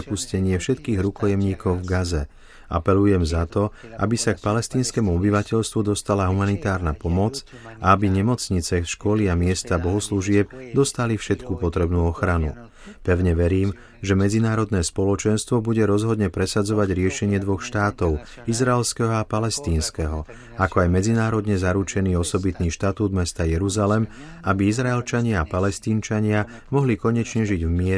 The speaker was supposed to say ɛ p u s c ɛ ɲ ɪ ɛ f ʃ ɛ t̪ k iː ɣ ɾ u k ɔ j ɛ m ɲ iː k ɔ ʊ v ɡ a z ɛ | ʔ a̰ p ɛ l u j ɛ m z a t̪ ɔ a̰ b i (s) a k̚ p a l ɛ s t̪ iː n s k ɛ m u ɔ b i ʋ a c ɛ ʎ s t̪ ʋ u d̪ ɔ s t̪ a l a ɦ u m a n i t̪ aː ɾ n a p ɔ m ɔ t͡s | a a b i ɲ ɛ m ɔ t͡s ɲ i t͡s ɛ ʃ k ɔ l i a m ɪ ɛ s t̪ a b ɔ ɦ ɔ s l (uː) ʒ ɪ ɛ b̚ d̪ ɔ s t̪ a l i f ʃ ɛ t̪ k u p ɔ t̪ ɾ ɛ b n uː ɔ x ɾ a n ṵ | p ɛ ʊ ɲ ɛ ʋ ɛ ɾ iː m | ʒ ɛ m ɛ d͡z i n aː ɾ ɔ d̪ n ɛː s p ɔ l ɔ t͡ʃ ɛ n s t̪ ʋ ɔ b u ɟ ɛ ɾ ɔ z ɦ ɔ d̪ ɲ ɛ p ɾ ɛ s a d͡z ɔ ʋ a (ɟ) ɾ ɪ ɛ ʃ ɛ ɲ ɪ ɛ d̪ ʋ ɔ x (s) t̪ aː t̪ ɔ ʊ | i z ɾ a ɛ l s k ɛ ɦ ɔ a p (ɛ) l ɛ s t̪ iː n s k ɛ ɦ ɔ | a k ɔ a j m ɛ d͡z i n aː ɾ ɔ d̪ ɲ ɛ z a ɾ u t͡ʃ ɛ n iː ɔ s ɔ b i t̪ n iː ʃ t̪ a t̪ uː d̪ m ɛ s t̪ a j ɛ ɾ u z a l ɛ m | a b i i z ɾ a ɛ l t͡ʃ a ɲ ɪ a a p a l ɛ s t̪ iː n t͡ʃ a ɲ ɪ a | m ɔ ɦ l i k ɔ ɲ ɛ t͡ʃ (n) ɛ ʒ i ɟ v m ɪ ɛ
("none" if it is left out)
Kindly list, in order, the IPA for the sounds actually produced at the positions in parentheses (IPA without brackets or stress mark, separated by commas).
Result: s, u, ɟ, ʃ, a, ɲ